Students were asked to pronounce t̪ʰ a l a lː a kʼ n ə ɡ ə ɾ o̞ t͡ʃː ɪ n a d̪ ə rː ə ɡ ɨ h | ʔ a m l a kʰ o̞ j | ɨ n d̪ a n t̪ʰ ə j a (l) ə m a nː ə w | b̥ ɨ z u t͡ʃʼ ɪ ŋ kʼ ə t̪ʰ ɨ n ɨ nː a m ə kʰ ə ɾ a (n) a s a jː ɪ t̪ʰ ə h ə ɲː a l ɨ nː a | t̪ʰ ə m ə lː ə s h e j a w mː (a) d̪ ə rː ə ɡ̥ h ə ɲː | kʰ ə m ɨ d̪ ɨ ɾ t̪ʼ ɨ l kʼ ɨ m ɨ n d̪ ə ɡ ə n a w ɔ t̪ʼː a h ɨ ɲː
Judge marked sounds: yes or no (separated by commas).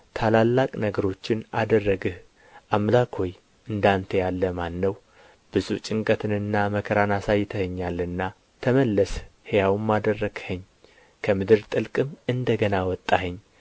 no, yes, yes